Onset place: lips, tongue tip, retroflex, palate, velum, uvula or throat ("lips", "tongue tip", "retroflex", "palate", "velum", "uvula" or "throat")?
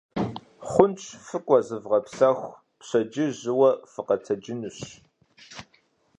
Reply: uvula